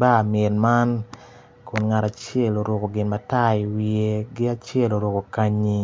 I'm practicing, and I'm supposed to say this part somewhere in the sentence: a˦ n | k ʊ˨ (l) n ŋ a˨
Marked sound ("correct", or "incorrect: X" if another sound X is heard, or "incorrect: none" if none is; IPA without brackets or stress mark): incorrect: none